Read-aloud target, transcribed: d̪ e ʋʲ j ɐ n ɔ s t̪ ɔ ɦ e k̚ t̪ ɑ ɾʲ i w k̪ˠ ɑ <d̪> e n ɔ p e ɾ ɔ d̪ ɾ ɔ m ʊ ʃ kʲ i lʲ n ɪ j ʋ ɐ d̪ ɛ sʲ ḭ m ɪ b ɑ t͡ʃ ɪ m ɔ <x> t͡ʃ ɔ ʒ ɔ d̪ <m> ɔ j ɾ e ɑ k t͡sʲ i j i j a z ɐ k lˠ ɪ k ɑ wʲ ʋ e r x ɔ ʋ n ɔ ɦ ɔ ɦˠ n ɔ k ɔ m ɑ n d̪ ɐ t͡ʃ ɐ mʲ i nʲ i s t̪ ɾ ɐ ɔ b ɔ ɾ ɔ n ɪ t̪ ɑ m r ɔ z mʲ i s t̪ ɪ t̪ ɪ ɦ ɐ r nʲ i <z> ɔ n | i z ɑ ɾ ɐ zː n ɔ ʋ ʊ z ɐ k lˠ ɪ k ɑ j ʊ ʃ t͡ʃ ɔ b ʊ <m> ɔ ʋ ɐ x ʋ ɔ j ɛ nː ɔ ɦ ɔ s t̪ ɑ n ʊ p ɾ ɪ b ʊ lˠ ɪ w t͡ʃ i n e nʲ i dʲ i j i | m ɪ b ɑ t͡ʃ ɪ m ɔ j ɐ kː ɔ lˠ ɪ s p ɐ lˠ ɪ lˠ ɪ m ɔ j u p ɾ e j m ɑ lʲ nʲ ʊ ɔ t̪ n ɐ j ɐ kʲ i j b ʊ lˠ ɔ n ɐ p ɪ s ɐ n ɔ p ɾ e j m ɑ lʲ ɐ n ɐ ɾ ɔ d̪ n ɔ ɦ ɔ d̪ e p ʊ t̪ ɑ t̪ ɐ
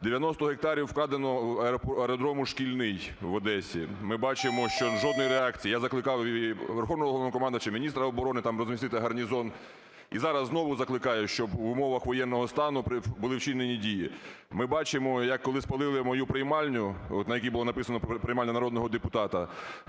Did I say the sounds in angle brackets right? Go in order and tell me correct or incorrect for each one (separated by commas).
correct, incorrect, incorrect, correct, correct